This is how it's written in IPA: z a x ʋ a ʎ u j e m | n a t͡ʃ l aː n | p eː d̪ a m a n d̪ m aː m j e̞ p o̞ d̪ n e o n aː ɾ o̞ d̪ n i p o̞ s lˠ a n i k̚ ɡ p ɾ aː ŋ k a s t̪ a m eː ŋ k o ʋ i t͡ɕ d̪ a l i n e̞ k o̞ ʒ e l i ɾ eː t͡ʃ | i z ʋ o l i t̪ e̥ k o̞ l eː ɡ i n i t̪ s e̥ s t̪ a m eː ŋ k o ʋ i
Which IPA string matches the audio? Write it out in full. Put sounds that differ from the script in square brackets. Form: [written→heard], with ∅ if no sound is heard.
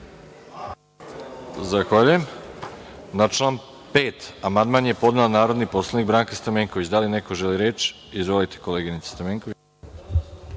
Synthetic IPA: z a x ʋ a ʎ u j e m | n a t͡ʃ l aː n | p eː [d̪→t̪] a m a n d̪ m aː [m→n] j e̞ p o̞ d̪ n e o n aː ɾ o̞ d̪ n i p o̞ s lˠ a n i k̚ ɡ [p→b] ɾ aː ŋ k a s t̪ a m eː ŋ k o ʋ i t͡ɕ d̪ a l i n e̞ k o̞ ʒ e l i ɾ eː t͡ʃ | i z ʋ o l i t̪ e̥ k o̞ l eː ɡ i n i t̪ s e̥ s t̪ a m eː ŋ k o ʋ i